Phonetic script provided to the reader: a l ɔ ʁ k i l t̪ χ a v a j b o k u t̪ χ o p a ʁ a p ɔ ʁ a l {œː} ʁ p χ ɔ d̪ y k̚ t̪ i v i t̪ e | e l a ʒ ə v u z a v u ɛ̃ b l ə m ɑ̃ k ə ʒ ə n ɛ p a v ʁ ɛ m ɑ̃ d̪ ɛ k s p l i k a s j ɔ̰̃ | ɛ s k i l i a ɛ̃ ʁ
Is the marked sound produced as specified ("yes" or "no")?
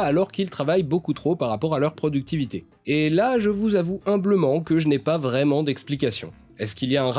no